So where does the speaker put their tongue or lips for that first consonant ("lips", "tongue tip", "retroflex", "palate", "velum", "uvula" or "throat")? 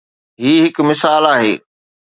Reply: throat